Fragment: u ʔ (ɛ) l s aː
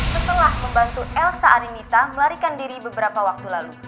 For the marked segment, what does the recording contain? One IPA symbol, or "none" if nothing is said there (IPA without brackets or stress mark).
ɛ